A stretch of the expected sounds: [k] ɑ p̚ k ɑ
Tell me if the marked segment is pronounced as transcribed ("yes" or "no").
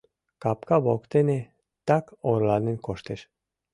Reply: yes